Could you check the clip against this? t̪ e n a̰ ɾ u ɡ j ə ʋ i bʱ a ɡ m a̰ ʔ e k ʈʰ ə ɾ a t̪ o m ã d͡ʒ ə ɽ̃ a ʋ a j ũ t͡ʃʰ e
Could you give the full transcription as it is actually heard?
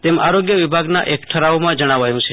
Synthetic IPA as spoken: t̪ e m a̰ ɾ o ɡ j ə ʋ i bʱ a ɡ n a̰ ʔ e k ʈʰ ə ɾ a o m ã d͡ʒ ə ɽ̃ a ʋ a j ũ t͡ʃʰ e